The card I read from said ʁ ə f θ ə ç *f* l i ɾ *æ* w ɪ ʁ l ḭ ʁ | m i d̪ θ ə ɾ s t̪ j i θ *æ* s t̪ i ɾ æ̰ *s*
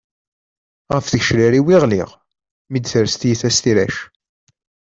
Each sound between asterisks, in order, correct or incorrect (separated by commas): incorrect, incorrect, correct, incorrect